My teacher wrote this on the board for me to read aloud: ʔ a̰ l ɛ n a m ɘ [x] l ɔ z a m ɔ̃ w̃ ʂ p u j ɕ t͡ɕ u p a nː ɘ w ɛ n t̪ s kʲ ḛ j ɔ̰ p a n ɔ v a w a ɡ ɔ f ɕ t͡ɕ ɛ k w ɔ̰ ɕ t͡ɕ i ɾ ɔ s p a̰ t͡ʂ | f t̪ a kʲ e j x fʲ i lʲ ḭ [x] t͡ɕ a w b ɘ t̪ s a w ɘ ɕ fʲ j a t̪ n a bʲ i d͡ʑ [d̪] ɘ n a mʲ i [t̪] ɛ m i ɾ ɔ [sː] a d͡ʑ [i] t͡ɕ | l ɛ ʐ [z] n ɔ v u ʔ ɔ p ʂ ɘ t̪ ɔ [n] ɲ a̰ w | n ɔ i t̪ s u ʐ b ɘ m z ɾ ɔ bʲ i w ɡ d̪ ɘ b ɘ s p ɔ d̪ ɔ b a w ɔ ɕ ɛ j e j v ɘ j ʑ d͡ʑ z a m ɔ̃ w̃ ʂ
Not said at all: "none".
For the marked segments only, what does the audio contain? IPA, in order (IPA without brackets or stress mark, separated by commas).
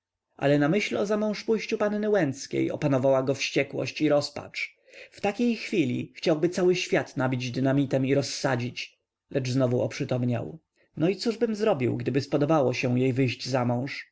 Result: ɕ, x, d̪, t̪, sː, i, z, m